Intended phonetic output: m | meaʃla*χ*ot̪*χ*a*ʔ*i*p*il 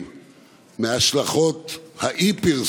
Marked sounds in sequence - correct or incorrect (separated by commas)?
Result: correct, incorrect, correct, correct